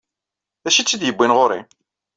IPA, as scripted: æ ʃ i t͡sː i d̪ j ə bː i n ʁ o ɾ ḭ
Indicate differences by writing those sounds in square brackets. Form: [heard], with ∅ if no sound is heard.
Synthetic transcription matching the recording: æ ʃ i t͡sː i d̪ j ə bː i n ʁ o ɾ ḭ